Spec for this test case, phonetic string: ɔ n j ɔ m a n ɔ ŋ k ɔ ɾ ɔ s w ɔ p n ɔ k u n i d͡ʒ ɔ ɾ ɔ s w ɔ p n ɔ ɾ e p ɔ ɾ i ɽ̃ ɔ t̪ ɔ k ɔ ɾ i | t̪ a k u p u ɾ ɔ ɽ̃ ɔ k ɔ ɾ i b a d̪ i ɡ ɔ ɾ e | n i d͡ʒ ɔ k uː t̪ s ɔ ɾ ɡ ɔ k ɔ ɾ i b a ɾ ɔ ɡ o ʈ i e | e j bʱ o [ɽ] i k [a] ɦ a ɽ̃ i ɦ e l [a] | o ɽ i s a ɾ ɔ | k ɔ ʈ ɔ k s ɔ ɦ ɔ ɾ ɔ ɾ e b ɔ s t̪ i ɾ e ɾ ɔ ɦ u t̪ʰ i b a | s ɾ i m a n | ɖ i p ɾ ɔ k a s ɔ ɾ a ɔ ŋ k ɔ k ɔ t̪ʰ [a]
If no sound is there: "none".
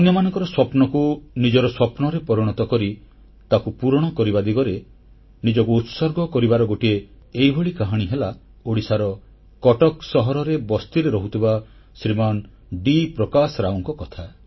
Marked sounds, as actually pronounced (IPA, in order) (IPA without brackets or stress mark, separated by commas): ɭ, a, a, a